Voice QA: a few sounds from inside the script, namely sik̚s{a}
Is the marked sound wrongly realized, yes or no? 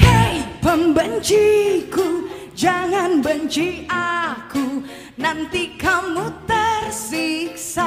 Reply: no